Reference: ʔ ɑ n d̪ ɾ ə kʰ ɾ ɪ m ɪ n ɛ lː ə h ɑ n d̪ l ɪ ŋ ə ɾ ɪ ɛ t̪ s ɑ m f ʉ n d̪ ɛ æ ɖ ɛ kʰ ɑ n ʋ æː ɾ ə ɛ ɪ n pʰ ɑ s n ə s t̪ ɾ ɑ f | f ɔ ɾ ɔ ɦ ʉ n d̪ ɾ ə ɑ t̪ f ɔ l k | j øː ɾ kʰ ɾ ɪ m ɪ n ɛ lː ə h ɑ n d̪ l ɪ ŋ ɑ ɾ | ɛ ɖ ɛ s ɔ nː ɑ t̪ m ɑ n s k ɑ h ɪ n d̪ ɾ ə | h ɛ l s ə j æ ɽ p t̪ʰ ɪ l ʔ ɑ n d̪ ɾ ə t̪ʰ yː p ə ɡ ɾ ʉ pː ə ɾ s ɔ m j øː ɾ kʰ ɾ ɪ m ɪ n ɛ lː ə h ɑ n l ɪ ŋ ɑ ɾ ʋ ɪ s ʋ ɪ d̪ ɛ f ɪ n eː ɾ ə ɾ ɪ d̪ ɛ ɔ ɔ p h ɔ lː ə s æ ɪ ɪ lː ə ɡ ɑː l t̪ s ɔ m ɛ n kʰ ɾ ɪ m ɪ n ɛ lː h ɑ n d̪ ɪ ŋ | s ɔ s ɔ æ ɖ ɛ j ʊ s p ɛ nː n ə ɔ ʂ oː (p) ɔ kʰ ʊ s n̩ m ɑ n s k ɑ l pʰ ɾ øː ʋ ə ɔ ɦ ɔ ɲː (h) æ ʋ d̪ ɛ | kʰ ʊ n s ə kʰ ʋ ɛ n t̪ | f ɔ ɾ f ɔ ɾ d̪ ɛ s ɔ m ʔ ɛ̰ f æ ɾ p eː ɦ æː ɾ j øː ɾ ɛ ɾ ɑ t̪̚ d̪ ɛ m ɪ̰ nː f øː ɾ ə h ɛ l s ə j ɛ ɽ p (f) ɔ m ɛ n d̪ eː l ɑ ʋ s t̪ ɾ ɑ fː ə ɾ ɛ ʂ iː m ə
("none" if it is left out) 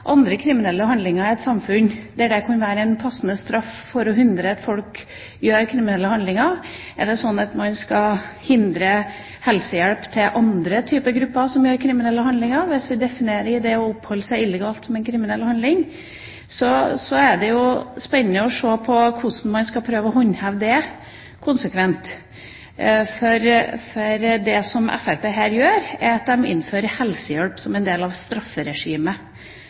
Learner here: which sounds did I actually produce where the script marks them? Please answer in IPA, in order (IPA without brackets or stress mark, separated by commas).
pʰ, h, s